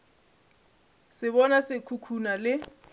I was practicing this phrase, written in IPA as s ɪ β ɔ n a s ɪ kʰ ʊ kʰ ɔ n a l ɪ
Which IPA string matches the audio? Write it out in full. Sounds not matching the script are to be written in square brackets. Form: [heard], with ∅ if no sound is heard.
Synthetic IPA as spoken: s ɪ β ɔ n a s ɪ kʰ [u] kʰ [u] n a l ɪ